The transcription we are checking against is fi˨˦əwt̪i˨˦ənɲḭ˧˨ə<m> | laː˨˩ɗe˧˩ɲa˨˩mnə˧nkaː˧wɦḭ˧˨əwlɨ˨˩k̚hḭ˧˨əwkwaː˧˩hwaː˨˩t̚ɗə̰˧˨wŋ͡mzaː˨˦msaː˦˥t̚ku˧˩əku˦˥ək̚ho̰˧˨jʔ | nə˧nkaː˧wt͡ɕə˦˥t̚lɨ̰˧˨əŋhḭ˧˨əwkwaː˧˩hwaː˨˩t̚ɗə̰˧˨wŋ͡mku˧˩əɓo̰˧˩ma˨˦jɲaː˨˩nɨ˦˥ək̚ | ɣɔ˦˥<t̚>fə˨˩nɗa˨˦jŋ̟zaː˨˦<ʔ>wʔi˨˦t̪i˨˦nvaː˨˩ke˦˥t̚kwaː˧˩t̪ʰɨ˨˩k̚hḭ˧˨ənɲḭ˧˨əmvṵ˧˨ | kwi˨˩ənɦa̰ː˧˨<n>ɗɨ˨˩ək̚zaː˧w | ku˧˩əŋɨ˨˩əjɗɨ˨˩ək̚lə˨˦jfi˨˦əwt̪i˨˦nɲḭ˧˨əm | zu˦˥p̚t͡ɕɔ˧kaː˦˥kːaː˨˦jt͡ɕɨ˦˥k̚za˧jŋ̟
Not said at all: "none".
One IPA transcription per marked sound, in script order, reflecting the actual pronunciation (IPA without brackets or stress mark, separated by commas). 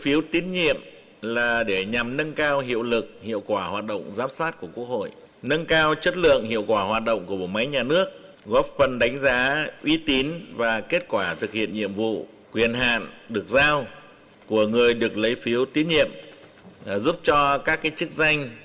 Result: m, p̚, ʔ, n